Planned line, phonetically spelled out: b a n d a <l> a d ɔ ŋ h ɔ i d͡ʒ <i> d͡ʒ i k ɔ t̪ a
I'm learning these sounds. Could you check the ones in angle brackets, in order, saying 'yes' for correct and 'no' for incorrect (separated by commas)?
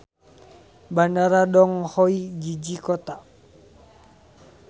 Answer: no, yes